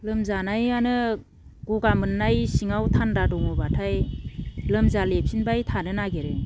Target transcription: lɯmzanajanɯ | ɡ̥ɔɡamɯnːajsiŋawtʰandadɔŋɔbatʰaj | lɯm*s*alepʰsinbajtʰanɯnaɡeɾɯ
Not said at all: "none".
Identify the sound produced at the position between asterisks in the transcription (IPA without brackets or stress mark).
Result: z